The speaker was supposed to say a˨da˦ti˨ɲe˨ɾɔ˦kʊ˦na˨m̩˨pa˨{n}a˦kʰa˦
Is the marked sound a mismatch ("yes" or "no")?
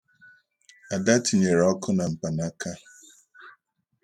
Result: no